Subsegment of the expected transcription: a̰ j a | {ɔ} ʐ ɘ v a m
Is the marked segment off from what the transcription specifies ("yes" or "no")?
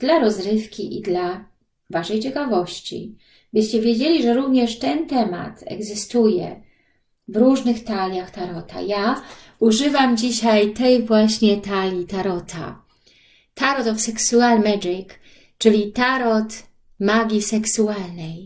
yes